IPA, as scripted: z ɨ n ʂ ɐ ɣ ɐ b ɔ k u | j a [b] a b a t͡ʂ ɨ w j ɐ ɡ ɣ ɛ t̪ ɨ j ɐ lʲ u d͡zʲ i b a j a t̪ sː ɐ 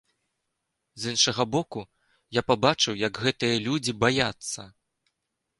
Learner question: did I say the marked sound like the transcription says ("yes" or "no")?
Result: no